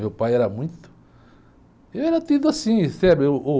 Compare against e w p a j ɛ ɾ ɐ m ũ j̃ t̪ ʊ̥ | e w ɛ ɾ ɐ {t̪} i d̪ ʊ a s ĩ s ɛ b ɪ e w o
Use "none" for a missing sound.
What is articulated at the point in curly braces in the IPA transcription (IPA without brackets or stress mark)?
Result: t̪